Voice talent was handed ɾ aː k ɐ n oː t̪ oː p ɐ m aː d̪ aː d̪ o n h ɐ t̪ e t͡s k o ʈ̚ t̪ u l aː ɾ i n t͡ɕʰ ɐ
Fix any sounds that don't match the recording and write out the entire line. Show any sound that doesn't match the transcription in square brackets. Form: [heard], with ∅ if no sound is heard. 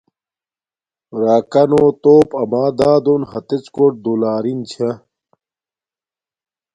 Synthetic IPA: ɾ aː k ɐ n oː t̪ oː p ɐ m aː d̪ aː d̪ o n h ɐ t̪ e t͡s k o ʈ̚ [d̪] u l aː ɾ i n t͡ɕʰ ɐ